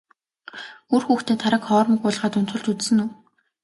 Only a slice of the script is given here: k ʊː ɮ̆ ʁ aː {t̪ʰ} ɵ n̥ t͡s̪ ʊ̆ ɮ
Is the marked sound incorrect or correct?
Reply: incorrect